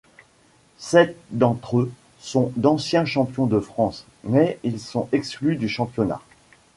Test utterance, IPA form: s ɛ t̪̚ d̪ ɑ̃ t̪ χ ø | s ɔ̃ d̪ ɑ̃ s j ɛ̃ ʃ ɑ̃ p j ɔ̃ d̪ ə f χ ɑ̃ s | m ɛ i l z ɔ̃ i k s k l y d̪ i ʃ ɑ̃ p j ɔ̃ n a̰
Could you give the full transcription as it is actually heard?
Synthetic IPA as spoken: s ɛ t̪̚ d̪ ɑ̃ t̪ χ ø | s ɔ̃ d̪ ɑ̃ s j ɛ̃ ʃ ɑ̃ p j ɔ̃ d̪ ə f χ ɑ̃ s | m ɛ i l s ɔ̃ ɛ k s k l y d̪ y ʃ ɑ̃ p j ɔ n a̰